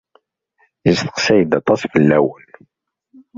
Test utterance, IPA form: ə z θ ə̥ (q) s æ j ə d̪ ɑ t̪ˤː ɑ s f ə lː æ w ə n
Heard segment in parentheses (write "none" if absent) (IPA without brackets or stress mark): q